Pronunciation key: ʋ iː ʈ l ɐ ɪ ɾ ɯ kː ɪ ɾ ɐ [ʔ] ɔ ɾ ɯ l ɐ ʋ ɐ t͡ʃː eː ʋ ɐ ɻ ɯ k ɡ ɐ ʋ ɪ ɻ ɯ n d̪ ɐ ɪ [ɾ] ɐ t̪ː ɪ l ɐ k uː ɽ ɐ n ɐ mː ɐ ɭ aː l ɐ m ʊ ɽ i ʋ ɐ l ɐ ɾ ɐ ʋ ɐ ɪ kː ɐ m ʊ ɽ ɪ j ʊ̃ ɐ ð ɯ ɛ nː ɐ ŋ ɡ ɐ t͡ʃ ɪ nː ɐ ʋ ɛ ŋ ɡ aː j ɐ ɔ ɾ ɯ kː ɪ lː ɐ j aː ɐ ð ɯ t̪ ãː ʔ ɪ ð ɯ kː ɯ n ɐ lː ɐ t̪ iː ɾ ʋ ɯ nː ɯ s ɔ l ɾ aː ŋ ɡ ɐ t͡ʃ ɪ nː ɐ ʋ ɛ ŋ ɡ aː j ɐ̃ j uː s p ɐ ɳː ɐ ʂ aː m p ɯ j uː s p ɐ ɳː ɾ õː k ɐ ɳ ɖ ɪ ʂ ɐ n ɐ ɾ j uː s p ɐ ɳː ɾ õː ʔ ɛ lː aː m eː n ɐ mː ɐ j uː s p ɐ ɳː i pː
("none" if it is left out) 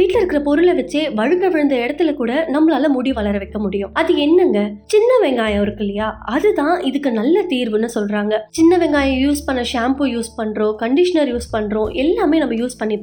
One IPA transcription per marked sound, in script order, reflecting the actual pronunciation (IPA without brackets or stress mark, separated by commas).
p, ɽ